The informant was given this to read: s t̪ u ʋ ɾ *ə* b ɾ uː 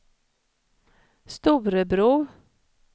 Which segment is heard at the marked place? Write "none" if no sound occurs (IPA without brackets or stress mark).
ə